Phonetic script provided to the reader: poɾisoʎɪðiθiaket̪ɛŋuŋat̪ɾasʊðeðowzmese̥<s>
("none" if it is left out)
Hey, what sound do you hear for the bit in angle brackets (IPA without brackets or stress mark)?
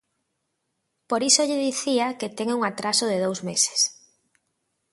s